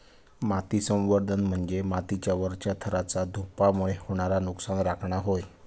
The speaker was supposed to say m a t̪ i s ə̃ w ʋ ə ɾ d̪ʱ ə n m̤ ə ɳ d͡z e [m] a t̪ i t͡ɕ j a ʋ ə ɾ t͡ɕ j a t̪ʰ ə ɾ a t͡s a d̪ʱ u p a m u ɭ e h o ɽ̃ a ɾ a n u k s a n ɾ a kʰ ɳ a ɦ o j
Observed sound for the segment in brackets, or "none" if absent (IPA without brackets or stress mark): m